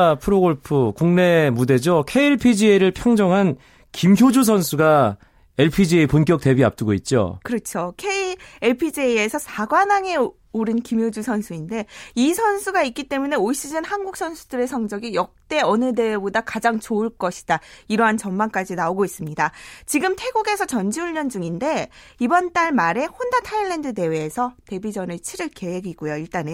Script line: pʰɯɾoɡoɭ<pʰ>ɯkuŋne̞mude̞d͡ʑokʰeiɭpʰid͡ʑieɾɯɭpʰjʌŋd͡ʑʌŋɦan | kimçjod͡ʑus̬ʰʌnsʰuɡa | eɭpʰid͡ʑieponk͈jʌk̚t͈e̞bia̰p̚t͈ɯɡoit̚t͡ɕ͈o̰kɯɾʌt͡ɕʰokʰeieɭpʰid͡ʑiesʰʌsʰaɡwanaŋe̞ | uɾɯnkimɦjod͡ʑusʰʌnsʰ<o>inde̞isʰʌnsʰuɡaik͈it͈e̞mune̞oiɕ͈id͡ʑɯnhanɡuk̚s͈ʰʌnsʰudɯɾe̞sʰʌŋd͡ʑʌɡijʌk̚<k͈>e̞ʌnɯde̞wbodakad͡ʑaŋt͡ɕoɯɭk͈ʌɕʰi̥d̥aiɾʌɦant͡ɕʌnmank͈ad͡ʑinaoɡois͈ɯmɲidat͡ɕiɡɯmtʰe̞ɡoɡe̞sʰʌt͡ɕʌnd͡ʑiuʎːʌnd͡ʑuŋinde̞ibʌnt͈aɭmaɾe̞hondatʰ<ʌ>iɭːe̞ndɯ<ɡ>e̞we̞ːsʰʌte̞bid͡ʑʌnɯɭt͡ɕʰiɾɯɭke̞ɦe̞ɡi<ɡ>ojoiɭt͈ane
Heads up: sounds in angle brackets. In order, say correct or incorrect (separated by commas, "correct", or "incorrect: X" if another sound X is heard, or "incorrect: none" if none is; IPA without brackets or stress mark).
correct, incorrect: u, incorrect: t͈, incorrect: a, incorrect: d, correct